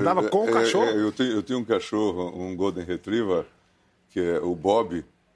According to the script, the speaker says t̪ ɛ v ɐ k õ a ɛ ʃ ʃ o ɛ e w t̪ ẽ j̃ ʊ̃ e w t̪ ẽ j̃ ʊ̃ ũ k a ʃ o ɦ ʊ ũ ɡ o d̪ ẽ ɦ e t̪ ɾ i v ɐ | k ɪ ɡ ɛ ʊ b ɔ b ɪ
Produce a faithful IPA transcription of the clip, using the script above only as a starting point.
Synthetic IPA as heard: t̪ a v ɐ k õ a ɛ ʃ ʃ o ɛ e w t̪ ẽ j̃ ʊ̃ e w t̪ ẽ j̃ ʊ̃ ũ k a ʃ o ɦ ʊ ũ ɡ o d̪ ẽ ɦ e t̪ ɾ i v ɐ | k ɪ ɛ ʊ b ɔ b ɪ